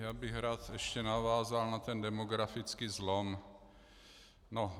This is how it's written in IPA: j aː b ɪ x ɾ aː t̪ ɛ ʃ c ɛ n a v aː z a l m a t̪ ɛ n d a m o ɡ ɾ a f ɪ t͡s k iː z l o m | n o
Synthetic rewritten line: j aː b ɪ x ɾ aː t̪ ɛ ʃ c ɛ n a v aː z a l n a t̪ ɛ n d ɛ m o ɡ ɾ a f ɪ t͡s k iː z l o m | n o